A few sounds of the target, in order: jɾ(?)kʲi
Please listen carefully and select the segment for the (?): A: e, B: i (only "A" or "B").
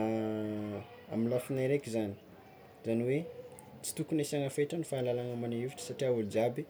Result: A